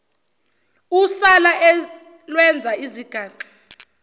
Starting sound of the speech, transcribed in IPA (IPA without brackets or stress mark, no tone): u